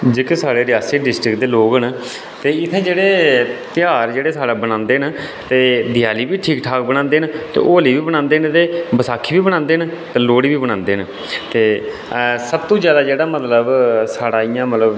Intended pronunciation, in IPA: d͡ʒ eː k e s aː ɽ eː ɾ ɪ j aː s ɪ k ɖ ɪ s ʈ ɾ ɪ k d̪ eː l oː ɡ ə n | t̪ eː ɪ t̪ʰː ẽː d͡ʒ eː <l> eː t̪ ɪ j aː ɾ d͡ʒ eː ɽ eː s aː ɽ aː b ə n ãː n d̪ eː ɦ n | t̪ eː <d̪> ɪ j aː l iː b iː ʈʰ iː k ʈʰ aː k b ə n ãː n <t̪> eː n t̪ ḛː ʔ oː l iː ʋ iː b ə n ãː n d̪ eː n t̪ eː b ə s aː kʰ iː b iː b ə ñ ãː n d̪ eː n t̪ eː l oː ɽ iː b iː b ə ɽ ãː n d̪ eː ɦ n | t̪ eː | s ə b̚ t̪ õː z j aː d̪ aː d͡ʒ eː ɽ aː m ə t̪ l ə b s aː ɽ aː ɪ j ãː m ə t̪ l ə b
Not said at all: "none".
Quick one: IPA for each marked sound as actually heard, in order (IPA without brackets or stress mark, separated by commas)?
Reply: ɽ, d̪, d̪